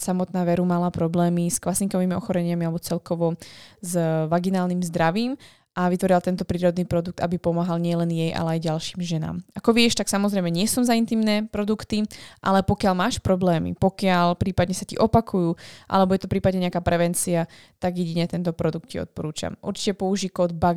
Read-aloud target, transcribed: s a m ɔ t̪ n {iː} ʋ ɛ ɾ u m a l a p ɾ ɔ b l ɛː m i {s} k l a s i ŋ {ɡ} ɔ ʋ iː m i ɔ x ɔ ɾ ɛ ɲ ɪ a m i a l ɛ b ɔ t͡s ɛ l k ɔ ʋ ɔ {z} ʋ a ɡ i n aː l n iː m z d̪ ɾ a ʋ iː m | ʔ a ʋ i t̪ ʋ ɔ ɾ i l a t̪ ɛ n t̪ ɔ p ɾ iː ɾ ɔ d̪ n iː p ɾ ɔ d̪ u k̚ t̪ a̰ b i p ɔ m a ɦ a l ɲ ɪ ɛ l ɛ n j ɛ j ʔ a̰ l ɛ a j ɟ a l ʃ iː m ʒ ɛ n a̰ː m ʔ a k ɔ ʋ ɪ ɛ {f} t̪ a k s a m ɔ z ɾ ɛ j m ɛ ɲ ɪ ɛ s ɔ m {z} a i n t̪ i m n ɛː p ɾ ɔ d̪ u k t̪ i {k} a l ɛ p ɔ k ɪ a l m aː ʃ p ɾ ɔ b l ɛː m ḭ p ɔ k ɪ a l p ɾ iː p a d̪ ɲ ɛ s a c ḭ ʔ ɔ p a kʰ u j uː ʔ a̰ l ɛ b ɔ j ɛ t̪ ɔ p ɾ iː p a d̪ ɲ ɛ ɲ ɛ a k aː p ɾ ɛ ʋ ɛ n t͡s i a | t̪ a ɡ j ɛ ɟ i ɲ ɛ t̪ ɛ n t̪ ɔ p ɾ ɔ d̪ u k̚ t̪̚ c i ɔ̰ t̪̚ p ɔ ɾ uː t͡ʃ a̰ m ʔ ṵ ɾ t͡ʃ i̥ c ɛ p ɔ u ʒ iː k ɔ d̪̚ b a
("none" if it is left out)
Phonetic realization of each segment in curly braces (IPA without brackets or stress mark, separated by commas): aː, s, k, z, ʃ, z, ʔ